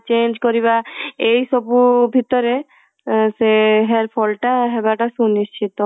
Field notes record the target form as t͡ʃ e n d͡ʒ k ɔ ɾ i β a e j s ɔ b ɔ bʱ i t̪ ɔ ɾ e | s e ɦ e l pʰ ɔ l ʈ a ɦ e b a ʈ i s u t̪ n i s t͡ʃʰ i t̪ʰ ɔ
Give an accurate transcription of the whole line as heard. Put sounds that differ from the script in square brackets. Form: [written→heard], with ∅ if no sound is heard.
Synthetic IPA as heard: t͡ʃ e n d͡ʒ k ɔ ɾ i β a e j s ɔ b [ɔ→u] bʱ i t̪ ɔ ɾ e | s e ɦ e [l→ɾ] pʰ ɔ l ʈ a ɦ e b a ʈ [i→a] s u [t̪→∅] n i s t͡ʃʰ i [t̪ʰ→t̪] ɔ

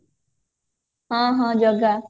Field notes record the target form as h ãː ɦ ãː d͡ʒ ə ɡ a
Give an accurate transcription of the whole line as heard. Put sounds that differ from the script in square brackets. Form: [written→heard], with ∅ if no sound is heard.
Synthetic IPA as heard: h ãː ɦ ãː d͡ʒ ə ɡ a

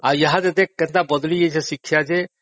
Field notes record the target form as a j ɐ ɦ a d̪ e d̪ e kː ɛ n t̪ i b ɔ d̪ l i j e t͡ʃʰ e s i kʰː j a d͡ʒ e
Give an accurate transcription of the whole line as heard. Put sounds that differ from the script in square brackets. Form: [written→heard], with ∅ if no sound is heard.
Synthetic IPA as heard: a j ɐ ɦ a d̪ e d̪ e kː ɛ n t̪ [i→a] b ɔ d̪ l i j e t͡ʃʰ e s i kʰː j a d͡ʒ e

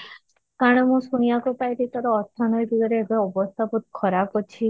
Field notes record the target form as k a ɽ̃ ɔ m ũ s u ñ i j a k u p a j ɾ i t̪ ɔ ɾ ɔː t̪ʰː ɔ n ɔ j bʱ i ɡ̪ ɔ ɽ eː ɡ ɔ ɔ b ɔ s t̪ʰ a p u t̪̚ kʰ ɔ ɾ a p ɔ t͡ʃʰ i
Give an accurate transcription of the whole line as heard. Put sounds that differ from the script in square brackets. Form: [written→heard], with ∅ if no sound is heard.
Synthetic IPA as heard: k a ɽ̃ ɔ m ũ s u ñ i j a k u p a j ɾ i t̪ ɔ ɾ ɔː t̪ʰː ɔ n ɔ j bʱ i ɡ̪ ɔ [ɽ→ɾ] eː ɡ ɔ ɔ b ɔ s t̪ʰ a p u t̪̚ kʰ ɔ ɾ a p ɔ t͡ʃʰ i

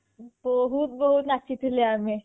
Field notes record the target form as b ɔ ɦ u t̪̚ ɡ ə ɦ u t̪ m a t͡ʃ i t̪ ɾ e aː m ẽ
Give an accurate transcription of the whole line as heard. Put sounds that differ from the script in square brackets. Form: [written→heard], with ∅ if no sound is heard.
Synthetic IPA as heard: b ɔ ɦ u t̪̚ [ɡ→b] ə ɦ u t̪ [m→n] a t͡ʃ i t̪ [ɾ→l] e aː m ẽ

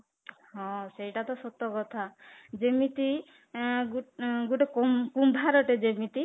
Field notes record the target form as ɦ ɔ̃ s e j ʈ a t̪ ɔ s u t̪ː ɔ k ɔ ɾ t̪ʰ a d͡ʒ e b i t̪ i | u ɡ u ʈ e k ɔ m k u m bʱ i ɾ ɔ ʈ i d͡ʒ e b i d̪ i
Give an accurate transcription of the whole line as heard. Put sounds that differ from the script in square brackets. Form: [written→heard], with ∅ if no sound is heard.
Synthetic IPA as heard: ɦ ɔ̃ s e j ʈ a t̪ ɔ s [u→ɔ] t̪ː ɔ k ɔ [ɾ→∅] t̪ʰ a d͡ʒ e [b→m] i t̪ i | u ɡ u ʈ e k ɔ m k u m bʱ [i→a] ɾ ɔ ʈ [i→e] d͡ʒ e [b→m] i [d̪→t̪] i

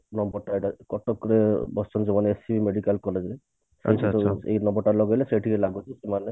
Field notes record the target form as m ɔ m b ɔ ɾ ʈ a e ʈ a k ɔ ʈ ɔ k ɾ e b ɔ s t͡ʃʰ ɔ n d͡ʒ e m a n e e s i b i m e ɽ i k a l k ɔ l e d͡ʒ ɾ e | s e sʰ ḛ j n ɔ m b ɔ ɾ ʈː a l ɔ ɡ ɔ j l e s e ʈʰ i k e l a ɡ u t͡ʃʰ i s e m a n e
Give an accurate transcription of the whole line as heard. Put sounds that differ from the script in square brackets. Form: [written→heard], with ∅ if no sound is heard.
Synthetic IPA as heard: [m→n] ɔ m b ɔ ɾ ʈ a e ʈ a k ɔ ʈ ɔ k ɾ e b ɔ s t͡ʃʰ ɔ n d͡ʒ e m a n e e s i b i m e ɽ i k a l k ɔ l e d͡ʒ ɾ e | s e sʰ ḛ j n ɔ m b ɔ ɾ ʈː a l ɔ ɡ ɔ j l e s e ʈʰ i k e l a ɡ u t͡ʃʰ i s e m a n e

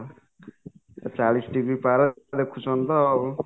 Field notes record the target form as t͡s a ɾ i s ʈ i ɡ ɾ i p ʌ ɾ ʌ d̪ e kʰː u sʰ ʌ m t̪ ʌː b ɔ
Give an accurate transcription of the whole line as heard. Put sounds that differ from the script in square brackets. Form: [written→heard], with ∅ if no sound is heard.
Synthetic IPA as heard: t͡s a [ɾ→l] i s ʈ i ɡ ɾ i p [ʌ→a] ɾ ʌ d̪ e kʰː u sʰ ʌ [m→n] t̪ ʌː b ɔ

